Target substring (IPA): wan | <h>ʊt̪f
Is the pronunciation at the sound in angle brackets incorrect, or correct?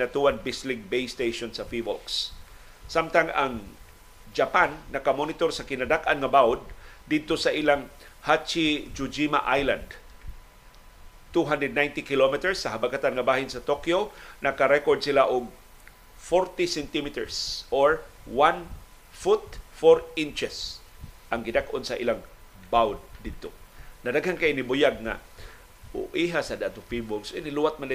incorrect